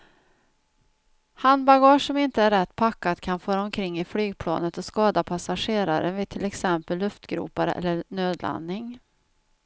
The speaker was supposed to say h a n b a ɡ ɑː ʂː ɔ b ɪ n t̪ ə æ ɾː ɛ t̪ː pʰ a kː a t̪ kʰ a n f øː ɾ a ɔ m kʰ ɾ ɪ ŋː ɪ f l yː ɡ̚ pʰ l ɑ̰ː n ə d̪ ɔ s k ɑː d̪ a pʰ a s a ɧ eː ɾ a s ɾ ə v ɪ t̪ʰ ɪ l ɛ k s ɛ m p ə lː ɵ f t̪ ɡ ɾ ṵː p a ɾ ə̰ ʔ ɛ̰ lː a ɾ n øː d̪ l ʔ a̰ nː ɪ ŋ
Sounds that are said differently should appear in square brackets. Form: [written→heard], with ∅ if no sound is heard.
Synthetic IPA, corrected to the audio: h a n b a ɡ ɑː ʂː ɔ [b→m] ɪ n t̪ ə æ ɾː ɛ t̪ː pʰ a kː a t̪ kʰ a n f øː ɾ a ɔ m kʰ ɾ ɪ ŋː ɪ f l yː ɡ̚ pʰ l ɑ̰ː n ə [d̪→t̪] ɔ s k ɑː d̪ a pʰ a s a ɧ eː ɾ a [s→∅] ɾ ə v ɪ t̪ʰ ɪ l ɛ k s ɛ m p ə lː ɵ f t̪ ɡ ɾ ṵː p a ɾ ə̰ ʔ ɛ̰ lː [a→ə] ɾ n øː d̪ l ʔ a̰ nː ɪ ŋ